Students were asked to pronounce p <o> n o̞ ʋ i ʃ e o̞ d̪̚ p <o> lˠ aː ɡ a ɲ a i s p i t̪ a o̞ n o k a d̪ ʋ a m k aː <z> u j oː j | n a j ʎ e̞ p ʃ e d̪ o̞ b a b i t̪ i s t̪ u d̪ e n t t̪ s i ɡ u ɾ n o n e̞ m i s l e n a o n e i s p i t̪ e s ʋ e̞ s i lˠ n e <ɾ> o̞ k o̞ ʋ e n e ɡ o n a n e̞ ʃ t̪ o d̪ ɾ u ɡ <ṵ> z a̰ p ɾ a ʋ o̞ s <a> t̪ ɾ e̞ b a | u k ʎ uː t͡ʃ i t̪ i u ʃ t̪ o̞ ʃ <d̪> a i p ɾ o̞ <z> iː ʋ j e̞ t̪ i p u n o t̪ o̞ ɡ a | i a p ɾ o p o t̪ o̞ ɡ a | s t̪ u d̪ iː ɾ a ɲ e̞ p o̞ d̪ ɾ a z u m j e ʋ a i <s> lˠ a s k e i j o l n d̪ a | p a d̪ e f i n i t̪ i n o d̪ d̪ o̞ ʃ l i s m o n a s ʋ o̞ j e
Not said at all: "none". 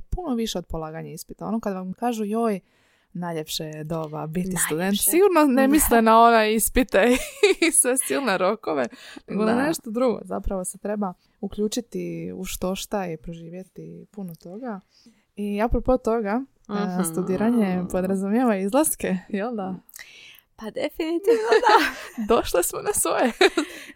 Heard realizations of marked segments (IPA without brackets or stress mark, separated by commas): u, o, ʒ, ɾ, o̰, e, t̪, ʒ, z